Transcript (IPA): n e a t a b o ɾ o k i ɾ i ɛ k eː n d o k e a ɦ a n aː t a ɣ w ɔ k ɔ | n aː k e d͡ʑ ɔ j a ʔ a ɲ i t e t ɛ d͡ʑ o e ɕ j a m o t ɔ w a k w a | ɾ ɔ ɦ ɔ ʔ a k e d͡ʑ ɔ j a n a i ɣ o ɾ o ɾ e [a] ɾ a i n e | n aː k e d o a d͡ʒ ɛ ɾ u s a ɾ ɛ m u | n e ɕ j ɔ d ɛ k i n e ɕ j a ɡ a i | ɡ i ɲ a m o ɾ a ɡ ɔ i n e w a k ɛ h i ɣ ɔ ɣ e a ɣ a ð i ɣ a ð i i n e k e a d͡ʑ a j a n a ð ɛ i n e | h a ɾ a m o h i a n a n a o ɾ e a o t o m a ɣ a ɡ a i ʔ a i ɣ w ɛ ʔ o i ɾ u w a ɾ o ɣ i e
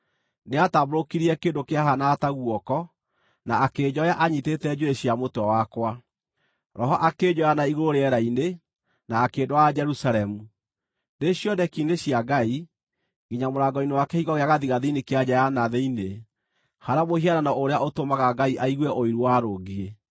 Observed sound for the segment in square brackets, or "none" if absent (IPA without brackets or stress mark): ɛ